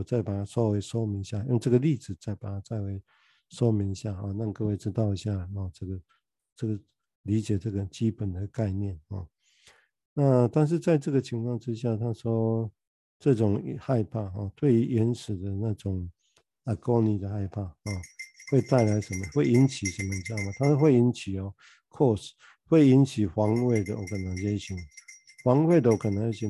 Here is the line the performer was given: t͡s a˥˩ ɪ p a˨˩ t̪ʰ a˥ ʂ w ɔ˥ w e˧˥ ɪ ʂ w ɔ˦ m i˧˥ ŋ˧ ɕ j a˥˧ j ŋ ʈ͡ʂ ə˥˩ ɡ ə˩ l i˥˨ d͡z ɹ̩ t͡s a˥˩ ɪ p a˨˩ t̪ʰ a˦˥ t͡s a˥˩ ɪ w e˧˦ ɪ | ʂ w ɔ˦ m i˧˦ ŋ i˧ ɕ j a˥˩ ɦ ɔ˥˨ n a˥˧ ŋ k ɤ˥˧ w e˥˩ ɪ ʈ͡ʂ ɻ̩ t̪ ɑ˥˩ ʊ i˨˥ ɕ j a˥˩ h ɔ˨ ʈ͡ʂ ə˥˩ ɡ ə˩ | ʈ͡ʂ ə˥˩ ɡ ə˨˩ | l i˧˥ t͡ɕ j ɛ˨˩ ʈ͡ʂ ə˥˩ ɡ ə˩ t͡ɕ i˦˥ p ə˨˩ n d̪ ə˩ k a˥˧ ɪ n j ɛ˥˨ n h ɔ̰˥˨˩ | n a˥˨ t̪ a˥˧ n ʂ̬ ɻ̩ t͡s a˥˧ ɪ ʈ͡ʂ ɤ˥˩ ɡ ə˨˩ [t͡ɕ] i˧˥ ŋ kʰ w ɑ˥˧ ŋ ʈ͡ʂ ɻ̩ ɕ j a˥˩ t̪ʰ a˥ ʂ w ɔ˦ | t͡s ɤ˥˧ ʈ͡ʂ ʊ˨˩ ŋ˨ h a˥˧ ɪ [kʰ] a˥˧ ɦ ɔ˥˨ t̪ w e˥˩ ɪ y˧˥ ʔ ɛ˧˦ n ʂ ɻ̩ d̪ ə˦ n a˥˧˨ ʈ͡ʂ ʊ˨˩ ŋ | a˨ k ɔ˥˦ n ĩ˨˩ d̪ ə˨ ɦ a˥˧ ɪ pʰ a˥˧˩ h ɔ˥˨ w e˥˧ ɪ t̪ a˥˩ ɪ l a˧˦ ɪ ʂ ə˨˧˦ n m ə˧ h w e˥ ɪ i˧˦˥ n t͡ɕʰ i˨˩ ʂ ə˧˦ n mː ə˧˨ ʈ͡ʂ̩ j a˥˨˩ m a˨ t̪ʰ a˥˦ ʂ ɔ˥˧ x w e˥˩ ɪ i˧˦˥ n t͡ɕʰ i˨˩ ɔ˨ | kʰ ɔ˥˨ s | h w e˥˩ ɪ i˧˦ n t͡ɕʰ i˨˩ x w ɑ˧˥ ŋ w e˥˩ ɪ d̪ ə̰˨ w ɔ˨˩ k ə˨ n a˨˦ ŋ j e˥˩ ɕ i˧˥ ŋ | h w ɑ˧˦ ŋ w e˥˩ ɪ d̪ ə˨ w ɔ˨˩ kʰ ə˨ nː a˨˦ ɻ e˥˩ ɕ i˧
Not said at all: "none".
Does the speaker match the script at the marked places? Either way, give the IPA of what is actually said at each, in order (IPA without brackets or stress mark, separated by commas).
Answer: t͡ɕʰ, pʰ